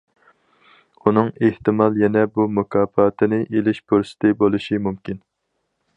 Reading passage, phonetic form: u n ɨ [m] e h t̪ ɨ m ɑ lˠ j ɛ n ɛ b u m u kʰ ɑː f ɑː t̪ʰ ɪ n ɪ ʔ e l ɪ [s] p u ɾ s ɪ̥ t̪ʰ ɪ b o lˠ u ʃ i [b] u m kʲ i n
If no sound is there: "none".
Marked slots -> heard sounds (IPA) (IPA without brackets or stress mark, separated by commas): ŋ, ʃ, m